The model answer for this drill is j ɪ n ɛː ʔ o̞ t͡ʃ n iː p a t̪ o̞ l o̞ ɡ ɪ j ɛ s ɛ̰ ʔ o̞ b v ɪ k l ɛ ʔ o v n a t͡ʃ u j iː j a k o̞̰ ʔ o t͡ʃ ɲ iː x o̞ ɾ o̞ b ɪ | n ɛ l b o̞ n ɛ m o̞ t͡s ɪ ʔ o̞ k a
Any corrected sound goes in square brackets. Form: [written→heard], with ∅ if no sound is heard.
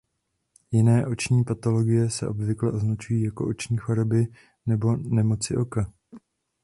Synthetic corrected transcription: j ɪ n ɛː ʔ o̞ t͡ʃ [n→ɲ] iː p a t̪ o̞ l o̞ ɡ ɪ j ɛ s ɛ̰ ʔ o̞ b v ɪ k l ɛ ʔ o [v→z] n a t͡ʃ u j iː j a k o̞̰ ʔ o t͡ʃ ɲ iː x o̞ ɾ o̞ b ɪ | n ɛ [l→∅] b o̞ n ɛ m o̞ t͡s ɪ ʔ o̞ k a